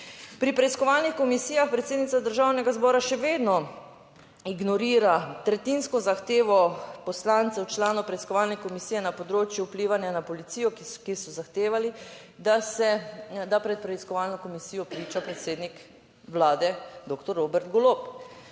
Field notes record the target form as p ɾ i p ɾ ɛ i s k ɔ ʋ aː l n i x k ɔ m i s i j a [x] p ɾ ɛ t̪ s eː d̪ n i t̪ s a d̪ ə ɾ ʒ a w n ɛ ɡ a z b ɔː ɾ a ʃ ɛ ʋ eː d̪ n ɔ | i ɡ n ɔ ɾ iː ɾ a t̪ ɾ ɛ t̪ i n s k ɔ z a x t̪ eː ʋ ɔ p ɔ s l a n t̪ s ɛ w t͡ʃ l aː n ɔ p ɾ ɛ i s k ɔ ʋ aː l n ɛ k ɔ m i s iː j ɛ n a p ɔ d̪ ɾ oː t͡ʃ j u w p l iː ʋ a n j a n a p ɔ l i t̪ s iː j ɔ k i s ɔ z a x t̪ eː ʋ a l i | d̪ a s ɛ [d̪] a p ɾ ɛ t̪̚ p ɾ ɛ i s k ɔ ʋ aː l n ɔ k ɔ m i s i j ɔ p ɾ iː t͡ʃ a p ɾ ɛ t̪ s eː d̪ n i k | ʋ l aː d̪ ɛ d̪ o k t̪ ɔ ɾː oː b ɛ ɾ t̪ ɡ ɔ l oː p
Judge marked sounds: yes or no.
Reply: yes, yes

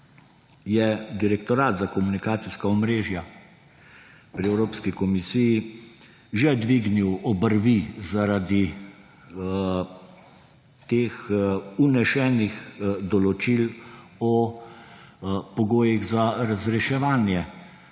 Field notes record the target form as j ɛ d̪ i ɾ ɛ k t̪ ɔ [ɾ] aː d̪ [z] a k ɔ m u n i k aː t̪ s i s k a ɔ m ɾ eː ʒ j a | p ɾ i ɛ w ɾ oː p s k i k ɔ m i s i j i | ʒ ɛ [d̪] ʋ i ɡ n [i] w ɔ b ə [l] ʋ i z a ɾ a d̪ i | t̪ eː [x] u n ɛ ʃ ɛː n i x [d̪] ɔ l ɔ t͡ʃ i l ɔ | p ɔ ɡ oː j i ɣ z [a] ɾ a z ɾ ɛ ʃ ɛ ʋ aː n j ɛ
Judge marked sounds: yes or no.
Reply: yes, yes, yes, yes, no, yes, yes, yes

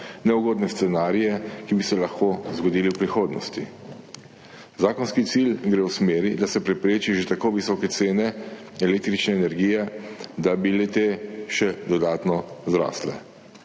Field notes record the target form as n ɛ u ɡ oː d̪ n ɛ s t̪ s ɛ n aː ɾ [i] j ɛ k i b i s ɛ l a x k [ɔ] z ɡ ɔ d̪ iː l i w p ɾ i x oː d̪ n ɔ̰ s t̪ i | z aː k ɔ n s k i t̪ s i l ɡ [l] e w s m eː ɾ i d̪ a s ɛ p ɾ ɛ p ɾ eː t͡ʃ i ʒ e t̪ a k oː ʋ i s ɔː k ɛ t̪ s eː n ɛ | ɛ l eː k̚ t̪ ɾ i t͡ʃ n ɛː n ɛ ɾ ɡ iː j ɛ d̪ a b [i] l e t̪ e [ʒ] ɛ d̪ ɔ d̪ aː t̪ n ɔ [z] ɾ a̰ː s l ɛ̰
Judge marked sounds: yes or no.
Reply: yes, no, no, yes, no, yes

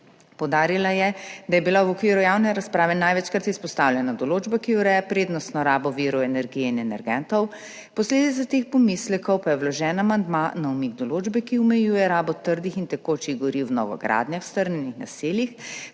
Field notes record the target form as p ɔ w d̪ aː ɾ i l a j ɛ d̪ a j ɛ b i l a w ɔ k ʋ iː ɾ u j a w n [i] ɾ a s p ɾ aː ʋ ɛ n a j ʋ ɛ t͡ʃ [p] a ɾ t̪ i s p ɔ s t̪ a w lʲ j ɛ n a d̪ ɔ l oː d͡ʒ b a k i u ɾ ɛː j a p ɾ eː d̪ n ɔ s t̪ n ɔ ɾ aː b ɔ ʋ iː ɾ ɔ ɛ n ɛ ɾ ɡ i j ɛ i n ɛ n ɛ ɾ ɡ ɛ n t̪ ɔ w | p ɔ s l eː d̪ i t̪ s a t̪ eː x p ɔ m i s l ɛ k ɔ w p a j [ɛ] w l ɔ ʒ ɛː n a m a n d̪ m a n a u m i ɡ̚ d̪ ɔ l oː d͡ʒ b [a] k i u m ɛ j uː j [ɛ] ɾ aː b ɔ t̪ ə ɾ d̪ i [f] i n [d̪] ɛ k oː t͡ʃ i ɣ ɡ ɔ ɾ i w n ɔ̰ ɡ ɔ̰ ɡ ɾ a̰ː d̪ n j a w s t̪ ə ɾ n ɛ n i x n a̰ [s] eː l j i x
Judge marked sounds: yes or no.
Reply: no, no, yes, no, yes, no, no, yes

